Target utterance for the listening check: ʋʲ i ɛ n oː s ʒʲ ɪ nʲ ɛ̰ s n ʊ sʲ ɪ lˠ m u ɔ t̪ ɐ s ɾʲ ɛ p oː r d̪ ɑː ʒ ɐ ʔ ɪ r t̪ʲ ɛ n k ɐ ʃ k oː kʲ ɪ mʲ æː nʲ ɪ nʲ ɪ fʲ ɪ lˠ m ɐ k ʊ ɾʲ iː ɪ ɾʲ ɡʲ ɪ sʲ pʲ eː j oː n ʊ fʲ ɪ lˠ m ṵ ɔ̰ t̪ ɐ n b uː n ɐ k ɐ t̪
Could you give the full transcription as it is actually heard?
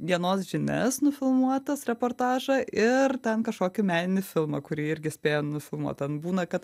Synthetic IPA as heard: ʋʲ i ɛ n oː s ʒʲ ɪ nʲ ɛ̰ s n ʊ fʲ ɪ lˠ m u ɔ t̪ ɐ s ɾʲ ɛ p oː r t̪ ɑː ʒ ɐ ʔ ɪ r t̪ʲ ɛ n k ɐ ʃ k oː kʲ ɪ mʲ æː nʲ ɪ nʲ ɪ fʲ ɪ lˠ m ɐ k ʊ ɾʲ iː ɪ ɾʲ ɡʲ ɪ sʲ pʲ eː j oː n ʊ fʲ ɪ lˠ m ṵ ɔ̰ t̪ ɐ n b uː n ɐ k ɐ t̪